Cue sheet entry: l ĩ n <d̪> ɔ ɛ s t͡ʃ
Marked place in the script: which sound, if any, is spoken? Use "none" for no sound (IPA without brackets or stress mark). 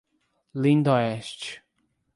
d̪